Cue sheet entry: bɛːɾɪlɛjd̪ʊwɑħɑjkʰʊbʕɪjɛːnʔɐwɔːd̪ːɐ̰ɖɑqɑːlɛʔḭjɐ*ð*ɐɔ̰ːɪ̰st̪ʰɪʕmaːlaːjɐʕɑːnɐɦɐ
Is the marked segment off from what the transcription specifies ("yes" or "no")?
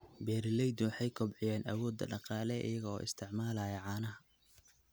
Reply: yes